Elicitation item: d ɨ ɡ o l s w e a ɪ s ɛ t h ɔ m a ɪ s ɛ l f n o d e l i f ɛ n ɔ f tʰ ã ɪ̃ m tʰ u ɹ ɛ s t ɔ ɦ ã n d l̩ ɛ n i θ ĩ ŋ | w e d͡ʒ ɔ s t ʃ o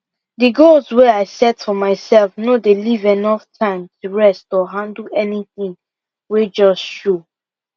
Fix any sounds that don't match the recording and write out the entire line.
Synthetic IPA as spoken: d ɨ ɡ o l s w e a ɪ s ɛ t f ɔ m a ɪ s ɛ l f n o d e l i v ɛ n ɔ f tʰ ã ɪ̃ m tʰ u ɹ ɛ s t ɔ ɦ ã n d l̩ ɛ n i θ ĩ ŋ | w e d͡ʒ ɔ s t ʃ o

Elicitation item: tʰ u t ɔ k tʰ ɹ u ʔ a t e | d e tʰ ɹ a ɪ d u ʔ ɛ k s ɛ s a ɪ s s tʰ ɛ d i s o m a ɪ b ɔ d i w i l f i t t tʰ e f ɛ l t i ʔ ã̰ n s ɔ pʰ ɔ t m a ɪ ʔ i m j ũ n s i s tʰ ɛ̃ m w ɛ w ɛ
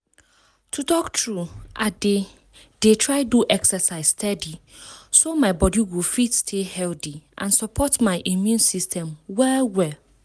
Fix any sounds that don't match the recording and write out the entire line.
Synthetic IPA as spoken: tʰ u t ɔ k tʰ ɹ u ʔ a d e | d e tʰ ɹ a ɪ d u ʔ ɛ k s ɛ s a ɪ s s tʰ ɛ d i s o m a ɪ b ɔ d i w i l f i t s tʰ e h ɛ l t i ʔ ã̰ n s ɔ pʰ ɔ t m a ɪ ʔ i m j ũ n s i s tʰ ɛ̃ m w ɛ w ɛ

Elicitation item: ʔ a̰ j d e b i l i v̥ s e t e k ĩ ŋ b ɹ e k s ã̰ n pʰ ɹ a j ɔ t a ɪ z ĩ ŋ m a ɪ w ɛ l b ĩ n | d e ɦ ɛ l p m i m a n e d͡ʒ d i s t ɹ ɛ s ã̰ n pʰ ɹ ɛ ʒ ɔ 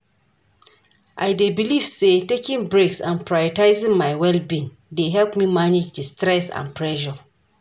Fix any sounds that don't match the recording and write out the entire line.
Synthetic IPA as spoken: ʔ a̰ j d e b i l i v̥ s e t e k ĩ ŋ b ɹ e k s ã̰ n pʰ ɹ a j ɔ t a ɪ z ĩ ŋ m a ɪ w ɛ l b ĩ n | d e ɦ ɛ l p m i m a n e d͡ʒ d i s t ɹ ɛ s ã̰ n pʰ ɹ ɛ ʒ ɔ

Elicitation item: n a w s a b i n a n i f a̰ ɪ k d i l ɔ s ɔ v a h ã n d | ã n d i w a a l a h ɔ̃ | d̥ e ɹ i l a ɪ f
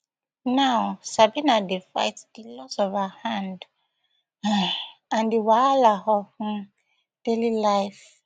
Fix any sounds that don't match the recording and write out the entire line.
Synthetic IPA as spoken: n a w s a b i n a d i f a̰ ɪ t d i l ɔ s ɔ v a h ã n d | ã n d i w a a l a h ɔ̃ | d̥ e l i l a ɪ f

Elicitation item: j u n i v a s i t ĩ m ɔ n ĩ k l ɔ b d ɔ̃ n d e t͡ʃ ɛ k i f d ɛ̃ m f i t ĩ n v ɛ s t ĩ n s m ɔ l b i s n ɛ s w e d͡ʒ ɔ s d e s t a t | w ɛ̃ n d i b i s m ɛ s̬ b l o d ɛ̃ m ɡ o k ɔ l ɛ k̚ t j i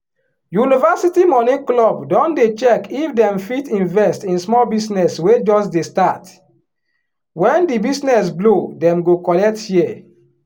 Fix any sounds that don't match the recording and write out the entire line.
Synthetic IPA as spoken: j u n i v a s i t i m ɔ n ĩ k l ɔ b d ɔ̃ n d e t͡ʃ ɛ k i f d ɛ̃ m f i t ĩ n v ɛ s t ĩ n s m ɔ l b i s n ɛ s w e d͡ʒ ɔ s d e s t a t | w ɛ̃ n d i b i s n ɛ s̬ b l o d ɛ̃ m ɡ o k ɔ l ɛ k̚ t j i

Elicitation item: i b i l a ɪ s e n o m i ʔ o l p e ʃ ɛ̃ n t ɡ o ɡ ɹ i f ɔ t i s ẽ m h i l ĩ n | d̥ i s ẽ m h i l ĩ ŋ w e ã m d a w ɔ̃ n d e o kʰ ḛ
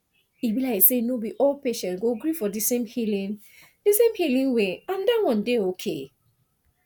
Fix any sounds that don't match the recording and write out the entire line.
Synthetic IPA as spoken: i b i l a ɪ s e n o b i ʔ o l p e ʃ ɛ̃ n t ɡ o ɡ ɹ i f ɔ d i s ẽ m h i l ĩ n | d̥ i s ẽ m h i l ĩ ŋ w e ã n d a w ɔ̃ n d e o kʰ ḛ

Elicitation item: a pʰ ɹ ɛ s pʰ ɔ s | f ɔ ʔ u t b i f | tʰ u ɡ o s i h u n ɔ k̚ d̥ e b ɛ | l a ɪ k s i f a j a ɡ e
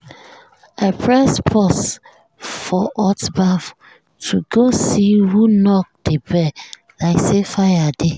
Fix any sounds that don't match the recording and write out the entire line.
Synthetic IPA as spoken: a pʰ ɹ ɛ s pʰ ɔ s | f ɔ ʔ ɔ t b a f | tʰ u ɡ o s i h u n ɔ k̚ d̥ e b ɛ | l a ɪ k s e f a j a d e

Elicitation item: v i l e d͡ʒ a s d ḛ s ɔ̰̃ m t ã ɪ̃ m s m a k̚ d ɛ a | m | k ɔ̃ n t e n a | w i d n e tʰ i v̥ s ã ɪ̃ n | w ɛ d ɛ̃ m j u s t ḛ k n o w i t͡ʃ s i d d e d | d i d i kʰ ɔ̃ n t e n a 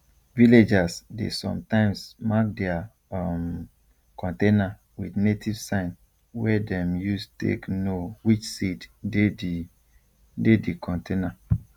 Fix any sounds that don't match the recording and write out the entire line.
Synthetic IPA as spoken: v i l e d͡ʒ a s d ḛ s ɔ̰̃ m t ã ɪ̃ m s m a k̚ d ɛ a | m | k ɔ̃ n t e n a | w i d n e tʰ i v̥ s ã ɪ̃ n | w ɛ d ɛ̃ m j u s t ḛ k n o w i t͡ʃ s i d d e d | d e d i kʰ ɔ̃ n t e n a

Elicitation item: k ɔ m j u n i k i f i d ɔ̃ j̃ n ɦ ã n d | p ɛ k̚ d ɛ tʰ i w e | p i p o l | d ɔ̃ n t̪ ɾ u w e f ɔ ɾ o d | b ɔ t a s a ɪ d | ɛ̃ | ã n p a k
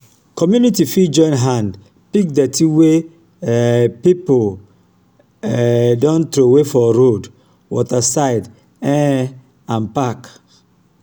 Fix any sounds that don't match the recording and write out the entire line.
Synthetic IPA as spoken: k ɔ m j u n i t i f i d͡ʒ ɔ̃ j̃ n ɦ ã n d | p i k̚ d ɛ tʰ i w e | p i p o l | d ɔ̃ n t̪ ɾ o w e f ɔ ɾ o d | w ɔ t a s a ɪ d | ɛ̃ | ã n p a k

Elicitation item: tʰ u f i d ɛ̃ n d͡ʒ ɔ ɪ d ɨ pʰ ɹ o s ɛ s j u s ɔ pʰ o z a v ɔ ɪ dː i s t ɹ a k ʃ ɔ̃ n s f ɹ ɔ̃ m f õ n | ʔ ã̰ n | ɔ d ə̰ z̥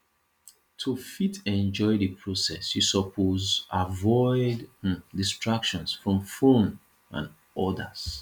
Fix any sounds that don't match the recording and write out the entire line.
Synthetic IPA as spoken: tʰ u f i t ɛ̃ n d͡ʒ ɔ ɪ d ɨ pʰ ɹ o s ɛ s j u s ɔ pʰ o z a v ɔ ɪ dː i s t ɹ a k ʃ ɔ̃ n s f ɹ ɔ̃ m f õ n | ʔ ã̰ n | ɔ d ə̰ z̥

